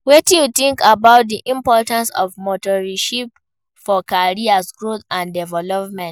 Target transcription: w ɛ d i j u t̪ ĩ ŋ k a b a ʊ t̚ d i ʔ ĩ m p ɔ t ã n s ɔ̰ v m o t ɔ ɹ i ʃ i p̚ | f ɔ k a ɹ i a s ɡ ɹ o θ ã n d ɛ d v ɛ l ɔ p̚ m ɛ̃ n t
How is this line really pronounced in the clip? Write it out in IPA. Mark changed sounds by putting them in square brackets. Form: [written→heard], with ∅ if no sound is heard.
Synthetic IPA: w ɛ [d→t] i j u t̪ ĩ ŋ k a b a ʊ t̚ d i ʔ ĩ m p ɔ t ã n s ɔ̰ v m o t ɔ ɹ i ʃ i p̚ | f ɔ k a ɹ i a s ɡ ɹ o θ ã n d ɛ [d→∅] v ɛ l ɔ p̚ m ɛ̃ n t